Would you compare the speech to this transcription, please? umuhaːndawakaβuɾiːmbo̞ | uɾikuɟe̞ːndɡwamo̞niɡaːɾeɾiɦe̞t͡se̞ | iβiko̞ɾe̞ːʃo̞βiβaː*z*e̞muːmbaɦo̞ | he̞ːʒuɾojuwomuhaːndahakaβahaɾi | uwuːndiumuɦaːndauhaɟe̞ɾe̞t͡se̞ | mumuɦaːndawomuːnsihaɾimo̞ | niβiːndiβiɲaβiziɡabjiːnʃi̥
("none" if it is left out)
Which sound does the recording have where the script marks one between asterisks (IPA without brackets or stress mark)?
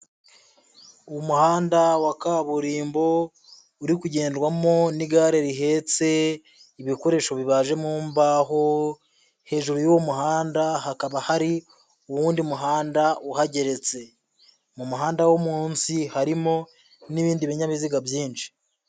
ʒ